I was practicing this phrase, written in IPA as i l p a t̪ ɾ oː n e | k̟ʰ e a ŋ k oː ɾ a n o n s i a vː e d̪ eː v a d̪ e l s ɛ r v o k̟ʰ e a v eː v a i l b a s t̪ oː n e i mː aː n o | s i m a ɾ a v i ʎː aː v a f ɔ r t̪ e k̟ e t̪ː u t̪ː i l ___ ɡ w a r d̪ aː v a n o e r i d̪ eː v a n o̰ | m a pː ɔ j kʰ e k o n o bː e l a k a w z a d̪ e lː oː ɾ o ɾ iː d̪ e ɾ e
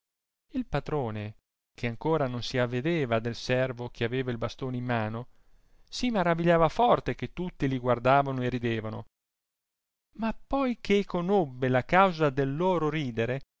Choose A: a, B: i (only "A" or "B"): B